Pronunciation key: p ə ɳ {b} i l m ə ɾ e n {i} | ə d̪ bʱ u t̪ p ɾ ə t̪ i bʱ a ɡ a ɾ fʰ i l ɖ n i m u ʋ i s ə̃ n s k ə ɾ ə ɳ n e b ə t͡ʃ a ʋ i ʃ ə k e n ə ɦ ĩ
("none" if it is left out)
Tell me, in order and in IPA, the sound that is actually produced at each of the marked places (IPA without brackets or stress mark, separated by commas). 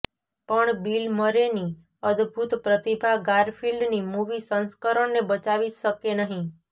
b, i